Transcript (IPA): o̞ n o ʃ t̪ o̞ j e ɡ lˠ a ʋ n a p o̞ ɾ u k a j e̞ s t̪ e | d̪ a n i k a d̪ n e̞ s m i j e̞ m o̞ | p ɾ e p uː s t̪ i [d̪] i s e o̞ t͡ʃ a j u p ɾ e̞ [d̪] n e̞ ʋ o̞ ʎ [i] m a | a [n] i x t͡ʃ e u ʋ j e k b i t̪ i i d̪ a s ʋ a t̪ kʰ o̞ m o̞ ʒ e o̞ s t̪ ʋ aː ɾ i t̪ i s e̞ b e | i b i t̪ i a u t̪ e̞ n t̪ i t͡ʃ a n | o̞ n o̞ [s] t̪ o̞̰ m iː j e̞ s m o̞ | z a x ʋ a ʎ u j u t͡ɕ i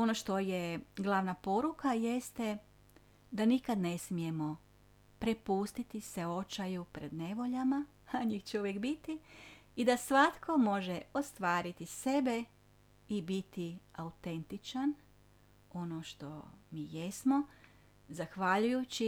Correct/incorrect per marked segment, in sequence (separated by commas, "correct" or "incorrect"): incorrect, correct, incorrect, incorrect, incorrect